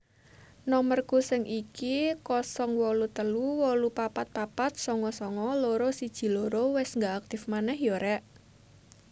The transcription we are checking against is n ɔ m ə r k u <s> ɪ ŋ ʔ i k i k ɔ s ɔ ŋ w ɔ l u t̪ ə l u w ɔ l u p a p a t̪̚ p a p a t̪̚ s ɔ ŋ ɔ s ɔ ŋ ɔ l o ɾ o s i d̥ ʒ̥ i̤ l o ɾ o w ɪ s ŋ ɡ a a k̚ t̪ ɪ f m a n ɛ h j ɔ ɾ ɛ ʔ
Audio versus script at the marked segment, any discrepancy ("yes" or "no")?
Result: no